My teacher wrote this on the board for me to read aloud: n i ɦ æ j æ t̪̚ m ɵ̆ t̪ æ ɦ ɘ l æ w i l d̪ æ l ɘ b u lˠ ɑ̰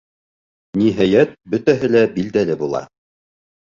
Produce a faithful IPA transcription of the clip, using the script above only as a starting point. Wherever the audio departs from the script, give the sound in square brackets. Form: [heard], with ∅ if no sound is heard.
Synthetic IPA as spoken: n i ɦ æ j æ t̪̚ [b] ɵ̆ t̪ æ ɦ ɘ l æ [b] i l d̪ æ l ɘ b u lˠ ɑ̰